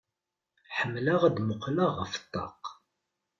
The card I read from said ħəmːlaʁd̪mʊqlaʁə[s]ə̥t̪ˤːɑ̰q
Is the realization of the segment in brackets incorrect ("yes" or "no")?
yes